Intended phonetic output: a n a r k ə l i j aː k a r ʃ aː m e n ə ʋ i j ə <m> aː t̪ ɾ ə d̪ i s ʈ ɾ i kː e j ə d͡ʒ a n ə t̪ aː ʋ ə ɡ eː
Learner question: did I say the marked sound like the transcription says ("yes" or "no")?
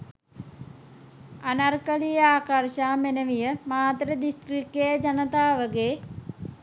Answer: yes